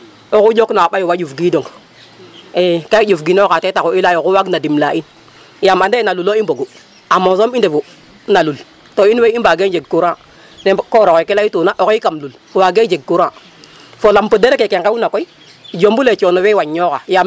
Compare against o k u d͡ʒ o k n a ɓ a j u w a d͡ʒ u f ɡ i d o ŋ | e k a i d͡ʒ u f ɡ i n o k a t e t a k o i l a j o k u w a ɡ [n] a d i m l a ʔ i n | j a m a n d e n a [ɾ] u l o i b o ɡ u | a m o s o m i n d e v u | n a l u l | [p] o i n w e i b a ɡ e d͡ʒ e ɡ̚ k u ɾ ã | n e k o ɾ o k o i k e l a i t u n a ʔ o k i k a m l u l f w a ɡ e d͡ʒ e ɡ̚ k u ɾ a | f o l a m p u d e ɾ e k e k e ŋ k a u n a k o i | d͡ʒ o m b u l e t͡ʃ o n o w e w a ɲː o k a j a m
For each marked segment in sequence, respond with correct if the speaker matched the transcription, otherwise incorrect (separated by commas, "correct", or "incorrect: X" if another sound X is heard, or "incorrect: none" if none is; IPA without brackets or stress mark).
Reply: correct, incorrect: l, incorrect: t